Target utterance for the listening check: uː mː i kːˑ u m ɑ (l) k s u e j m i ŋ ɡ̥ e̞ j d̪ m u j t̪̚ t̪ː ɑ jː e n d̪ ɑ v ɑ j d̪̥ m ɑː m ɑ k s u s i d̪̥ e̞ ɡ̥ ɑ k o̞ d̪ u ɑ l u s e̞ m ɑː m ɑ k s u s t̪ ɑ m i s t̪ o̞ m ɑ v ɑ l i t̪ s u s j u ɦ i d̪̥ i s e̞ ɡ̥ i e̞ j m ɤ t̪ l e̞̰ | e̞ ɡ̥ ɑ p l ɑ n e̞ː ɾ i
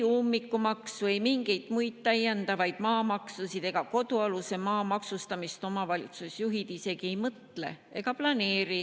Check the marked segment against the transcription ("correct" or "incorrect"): incorrect